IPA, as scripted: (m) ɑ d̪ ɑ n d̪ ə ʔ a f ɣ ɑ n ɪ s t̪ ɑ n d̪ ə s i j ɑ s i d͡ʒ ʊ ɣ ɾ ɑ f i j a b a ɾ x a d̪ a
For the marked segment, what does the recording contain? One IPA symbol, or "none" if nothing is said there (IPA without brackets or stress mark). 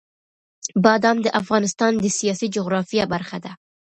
b